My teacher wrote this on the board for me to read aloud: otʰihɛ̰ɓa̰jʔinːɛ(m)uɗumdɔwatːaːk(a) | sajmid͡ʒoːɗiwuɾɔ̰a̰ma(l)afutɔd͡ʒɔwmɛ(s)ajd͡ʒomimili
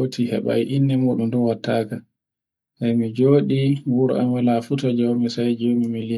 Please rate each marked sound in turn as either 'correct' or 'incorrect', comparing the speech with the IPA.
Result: correct, correct, correct, correct

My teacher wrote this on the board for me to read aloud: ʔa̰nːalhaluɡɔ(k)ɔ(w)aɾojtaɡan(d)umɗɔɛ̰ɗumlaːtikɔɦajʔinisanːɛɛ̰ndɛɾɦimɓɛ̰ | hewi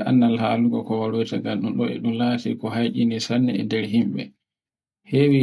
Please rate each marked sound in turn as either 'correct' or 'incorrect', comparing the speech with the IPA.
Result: correct, correct, incorrect: ɗ

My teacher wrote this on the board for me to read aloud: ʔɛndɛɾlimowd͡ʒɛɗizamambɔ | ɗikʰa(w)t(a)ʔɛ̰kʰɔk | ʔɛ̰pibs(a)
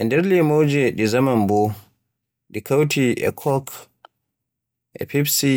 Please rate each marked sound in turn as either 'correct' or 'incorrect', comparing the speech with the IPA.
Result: correct, incorrect: i, incorrect: i

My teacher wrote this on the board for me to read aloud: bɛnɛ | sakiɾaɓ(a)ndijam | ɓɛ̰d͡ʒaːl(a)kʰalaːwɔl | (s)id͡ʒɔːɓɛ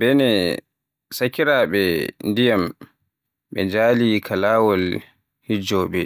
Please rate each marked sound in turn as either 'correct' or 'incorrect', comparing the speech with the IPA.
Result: incorrect: ɛ, incorrect: i, incorrect: h

